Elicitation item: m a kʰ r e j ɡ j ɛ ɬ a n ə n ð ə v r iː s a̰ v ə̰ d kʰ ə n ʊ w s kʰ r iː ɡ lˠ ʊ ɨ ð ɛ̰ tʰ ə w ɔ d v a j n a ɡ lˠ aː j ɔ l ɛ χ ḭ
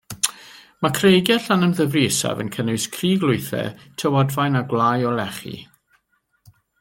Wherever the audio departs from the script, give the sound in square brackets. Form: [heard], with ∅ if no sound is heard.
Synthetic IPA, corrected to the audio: m a kʰ r e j ɡ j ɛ ɬ a n ə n ð ə v r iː s a̰ v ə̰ [n] kʰ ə n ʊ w s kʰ r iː ɡ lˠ ʊ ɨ [θ] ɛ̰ tʰ ə w ɔ d v a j n a ɡ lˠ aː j ɔ l ɛ χ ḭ

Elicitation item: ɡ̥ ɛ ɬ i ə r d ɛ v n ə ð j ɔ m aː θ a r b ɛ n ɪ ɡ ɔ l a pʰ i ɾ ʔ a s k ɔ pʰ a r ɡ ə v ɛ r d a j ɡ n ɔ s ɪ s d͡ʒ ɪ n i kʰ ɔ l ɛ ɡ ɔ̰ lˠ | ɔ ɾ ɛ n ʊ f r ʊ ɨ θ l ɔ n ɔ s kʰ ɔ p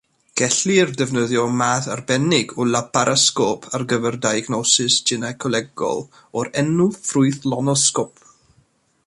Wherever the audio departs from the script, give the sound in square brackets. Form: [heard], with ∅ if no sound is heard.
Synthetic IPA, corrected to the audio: ɡ̥ ɛ ɬ i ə r d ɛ v n ə ð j ɔ m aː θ a r b ɛ n ɪ ɡ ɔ l a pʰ [a] ɾ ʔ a s k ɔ pʰ a r ɡ ə v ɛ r d a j ɡ n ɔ s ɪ s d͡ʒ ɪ n [a] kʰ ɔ l ɛ ɡ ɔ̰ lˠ | ɔ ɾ ɛ n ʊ f r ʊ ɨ θ l ɔ n ɔ s [k] ɔ p

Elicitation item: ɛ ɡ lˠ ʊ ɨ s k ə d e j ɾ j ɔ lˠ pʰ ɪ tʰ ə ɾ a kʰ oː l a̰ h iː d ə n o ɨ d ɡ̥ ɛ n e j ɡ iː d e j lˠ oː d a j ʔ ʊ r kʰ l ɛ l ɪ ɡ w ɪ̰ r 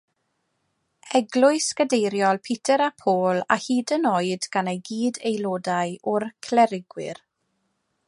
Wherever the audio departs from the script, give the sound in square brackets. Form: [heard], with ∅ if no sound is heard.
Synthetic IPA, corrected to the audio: ɛ ɡ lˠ ʊ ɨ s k ə d e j ɾ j ɔ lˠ pʰ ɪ tʰ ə ɾ a [pʰ] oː l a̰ h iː d ə n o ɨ d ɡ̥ [a] n e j ɡ iː d e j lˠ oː d a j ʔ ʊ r kʰ l ɛ [ɾ] ɪ ɡ w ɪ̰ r

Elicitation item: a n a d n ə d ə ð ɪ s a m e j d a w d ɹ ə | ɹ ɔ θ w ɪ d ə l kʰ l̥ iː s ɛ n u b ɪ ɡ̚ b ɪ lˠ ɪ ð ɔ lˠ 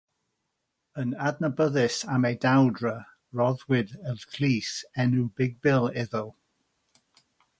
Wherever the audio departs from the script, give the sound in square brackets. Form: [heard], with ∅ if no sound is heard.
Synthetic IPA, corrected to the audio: [ə] n a d n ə [b] ə ð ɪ s a m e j d a w d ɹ ə | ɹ ɔ [ð] w ɪ d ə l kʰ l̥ iː s ɛ n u b ɪ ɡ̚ b ɪ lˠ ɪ ð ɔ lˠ

